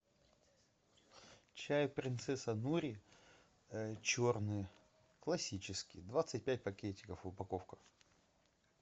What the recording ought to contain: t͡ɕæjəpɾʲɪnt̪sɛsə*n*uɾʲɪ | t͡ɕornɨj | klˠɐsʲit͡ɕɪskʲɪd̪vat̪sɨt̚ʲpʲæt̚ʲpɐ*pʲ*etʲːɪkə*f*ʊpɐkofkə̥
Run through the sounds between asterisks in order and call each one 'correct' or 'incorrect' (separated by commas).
correct, incorrect, correct